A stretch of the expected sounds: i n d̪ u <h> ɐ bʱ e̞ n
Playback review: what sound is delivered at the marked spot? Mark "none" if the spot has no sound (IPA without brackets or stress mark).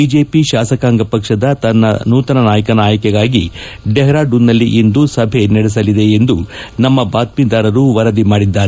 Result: s